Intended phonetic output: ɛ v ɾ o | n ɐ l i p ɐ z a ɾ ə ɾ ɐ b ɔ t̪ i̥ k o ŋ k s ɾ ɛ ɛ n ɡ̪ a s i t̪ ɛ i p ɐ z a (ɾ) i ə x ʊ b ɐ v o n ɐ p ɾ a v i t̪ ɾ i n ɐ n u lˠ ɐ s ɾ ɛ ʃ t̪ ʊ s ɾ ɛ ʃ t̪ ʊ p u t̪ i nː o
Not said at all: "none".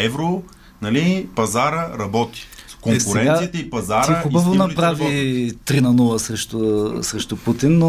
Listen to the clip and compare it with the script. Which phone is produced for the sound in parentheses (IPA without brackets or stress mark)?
ɾ